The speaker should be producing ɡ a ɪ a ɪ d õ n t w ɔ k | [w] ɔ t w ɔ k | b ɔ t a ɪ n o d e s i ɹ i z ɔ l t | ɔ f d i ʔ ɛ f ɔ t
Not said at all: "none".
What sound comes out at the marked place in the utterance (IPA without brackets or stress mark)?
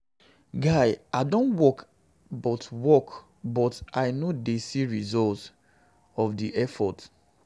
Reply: b